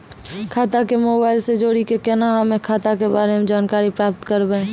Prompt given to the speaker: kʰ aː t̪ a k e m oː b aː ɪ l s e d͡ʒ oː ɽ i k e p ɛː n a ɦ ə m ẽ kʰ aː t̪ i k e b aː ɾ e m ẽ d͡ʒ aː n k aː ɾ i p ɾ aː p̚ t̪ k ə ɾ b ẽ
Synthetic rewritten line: kʰ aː t̪ a k e m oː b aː ɪ l s e d͡ʒ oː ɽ i k e k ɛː n a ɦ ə m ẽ kʰ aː t̪ a k e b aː ɾ e m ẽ d͡ʒ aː n k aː ɾ i p ɾ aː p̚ t̪ k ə ɾ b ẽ